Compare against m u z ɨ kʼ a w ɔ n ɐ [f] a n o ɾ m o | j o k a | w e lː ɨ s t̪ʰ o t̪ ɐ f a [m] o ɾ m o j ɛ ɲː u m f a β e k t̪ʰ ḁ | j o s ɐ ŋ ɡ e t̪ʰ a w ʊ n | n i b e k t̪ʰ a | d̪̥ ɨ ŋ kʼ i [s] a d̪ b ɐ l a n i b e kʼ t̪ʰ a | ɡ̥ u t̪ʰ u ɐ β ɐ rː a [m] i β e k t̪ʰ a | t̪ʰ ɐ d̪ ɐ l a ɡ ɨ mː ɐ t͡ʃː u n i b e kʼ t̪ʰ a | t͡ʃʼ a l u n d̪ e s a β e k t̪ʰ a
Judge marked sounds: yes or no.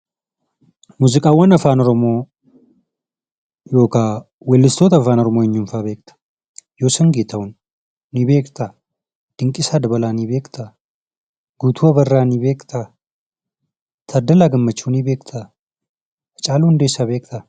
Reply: yes, no, yes, no

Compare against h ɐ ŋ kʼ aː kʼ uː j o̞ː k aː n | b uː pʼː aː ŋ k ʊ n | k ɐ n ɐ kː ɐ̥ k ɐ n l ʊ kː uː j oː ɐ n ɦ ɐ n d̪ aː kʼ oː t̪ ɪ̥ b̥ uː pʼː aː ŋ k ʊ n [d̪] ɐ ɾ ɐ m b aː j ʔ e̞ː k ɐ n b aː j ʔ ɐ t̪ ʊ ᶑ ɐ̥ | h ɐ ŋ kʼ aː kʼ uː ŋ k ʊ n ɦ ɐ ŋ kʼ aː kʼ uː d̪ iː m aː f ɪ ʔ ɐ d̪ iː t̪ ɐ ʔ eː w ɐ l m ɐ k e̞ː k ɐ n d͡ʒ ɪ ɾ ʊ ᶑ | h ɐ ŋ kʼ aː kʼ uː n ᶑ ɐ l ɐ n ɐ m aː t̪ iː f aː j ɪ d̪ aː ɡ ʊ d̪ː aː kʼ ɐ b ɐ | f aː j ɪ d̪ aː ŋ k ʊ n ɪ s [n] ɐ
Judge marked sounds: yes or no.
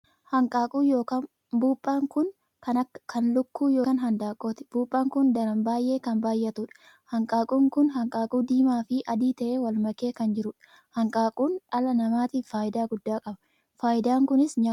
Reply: yes, no

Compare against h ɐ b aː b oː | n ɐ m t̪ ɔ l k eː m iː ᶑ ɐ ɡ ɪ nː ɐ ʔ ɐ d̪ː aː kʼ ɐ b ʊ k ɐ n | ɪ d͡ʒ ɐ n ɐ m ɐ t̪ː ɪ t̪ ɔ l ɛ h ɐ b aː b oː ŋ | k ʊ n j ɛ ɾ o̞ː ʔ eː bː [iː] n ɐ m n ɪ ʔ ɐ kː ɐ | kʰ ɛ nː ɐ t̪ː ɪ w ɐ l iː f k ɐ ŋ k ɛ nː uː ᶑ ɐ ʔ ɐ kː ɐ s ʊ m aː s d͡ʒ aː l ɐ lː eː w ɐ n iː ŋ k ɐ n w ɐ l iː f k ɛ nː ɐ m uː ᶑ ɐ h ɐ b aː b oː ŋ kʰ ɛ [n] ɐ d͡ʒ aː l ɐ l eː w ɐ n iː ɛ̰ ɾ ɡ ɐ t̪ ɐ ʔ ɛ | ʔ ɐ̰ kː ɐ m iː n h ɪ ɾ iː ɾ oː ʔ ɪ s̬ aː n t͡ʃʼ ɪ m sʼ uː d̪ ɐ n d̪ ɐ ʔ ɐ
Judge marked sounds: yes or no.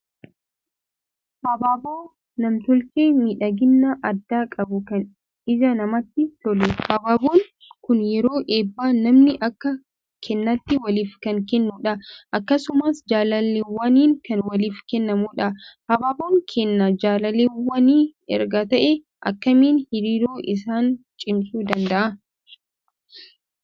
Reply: no, no

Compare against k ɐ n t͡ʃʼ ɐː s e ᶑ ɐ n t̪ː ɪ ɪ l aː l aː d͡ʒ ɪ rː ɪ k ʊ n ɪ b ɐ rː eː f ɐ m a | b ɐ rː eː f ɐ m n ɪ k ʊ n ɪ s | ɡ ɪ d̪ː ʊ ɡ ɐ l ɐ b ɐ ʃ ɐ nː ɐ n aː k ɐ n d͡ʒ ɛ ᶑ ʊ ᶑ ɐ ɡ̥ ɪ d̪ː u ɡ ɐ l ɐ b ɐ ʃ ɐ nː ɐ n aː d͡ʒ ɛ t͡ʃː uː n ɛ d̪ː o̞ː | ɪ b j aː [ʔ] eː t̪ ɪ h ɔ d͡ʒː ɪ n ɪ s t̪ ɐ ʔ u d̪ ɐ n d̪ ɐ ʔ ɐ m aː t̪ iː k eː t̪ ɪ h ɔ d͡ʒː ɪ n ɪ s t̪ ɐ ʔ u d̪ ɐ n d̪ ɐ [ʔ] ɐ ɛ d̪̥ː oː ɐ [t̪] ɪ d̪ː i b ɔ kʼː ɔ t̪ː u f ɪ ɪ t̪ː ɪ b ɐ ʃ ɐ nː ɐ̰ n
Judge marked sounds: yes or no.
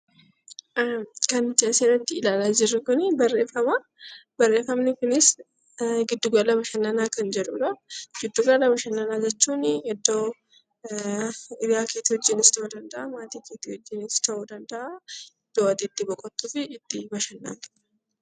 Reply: no, yes, no

